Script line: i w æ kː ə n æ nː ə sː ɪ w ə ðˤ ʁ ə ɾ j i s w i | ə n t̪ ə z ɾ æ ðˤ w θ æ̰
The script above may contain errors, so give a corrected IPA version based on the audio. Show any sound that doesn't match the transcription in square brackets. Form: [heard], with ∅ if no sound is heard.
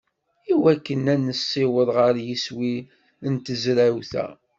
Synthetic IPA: i w æ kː ə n æ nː ə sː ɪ w ə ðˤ ʁ ə ɾ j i s w i | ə n t̪ ə z ɾ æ [∅] w θ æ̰